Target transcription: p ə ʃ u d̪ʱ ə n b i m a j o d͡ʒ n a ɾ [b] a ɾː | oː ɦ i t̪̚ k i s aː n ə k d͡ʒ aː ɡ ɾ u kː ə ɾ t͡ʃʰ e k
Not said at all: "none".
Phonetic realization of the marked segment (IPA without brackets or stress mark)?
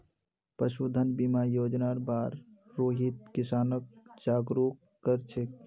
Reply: b